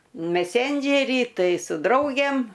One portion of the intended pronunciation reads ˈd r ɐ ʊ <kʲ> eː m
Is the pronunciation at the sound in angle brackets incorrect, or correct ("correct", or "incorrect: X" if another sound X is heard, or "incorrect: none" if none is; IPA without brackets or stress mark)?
incorrect: ɡʲ